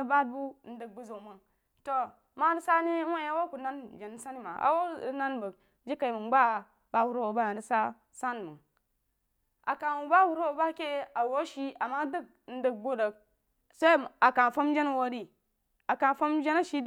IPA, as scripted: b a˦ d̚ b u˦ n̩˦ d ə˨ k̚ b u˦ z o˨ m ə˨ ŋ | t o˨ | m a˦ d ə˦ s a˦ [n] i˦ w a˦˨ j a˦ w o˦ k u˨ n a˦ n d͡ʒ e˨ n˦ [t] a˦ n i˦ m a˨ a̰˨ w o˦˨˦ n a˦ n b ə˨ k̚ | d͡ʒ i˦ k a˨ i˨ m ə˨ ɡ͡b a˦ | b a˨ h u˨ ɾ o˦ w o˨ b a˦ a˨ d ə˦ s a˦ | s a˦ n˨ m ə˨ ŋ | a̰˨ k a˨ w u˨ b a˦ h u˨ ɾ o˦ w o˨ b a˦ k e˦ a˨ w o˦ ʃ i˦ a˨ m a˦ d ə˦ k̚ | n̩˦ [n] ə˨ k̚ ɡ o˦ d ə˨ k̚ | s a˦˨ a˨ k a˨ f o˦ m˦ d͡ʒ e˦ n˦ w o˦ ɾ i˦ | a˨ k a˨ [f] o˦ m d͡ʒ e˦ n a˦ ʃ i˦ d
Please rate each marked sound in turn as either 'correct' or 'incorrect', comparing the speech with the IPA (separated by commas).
correct, incorrect, incorrect, correct